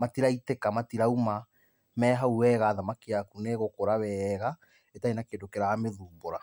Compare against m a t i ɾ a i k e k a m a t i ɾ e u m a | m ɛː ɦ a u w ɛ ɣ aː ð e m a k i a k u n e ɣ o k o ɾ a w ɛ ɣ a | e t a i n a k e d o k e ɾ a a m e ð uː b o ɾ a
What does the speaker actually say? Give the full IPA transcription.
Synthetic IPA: m a t i ɾ a i t e k a m a t i ɾ a u m a | m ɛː ɦ a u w ɛ ɣ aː ð a m a k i a k u n e ɣ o k o ɾ a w ɛ ɣ a | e t a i n a k e d o k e ɾ a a m e ð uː b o ɾ a